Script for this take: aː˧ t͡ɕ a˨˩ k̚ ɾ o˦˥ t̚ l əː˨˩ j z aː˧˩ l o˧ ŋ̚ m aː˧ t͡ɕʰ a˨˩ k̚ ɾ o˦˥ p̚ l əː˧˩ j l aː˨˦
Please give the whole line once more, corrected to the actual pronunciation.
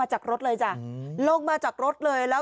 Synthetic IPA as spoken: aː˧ t͡ɕ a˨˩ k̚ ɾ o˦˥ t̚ l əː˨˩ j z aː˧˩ l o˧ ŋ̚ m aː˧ t͡ɕ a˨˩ k̚ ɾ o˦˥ t̚ l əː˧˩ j l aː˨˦